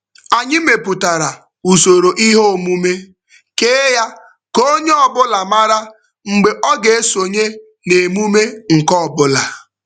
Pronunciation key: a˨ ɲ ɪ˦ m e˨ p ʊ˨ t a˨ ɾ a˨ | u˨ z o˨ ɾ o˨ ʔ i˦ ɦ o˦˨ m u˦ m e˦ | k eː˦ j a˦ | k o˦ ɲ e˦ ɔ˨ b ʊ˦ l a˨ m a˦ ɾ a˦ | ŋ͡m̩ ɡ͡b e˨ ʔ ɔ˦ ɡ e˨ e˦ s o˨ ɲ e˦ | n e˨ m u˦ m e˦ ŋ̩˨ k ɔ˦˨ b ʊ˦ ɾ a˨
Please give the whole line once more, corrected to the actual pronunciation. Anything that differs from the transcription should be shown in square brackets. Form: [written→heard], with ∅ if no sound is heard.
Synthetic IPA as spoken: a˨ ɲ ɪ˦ m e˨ p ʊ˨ t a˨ ɾ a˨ | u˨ [z→s] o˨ ɾ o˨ ʔ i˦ ɦ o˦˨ m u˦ m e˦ | k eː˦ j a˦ | k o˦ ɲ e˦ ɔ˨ b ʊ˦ l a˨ m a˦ ɾ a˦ | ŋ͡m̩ ɡ͡b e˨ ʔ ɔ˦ ɡ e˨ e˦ s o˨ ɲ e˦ | n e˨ m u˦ m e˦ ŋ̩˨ k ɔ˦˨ b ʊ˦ [ɾ→l] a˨